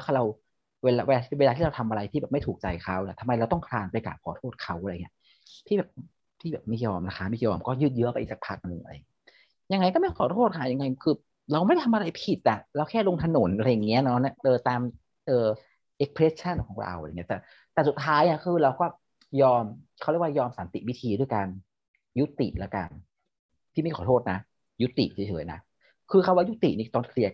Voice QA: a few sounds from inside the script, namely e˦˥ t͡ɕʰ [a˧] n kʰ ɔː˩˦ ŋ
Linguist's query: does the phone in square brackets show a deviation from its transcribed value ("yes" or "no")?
yes